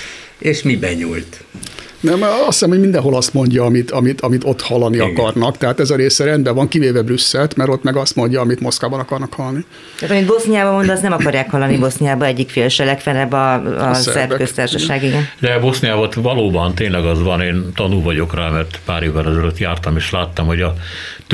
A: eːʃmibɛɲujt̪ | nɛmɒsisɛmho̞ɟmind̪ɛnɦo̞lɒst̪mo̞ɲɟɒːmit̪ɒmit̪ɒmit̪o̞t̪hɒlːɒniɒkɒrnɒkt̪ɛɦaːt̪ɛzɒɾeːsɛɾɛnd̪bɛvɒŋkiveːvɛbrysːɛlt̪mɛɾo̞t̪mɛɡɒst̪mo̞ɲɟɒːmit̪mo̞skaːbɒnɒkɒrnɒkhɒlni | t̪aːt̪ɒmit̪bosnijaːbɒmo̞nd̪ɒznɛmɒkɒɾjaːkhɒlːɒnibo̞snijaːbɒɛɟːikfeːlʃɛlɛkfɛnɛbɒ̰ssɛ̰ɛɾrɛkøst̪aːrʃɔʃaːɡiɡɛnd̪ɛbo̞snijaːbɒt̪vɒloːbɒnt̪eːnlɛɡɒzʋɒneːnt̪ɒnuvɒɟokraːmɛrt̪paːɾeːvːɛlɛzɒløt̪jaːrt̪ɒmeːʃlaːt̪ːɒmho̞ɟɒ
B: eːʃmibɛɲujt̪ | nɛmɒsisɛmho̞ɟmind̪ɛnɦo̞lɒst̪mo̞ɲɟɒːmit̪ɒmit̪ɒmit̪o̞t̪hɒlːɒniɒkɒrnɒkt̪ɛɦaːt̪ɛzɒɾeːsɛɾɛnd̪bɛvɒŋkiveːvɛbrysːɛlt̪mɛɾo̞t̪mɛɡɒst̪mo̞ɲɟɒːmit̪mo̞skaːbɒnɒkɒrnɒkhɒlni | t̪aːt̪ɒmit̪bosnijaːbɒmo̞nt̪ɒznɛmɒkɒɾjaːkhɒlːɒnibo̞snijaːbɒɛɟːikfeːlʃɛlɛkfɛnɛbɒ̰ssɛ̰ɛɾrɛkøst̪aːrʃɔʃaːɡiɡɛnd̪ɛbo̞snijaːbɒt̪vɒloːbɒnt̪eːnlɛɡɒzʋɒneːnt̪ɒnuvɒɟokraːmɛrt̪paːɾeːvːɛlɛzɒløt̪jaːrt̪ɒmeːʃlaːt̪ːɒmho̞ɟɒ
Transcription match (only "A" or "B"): A